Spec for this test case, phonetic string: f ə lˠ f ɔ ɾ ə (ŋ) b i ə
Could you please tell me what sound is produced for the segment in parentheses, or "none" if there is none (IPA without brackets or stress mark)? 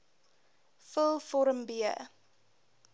m